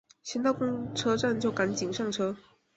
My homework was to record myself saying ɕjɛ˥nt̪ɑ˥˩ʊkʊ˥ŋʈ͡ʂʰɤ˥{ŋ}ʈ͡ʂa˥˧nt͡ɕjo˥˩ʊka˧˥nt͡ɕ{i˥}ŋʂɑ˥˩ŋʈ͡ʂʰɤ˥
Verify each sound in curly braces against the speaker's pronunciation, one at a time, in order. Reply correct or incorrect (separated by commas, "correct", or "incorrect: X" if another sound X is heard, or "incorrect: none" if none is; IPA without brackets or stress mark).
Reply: incorrect: none, incorrect: i˨˩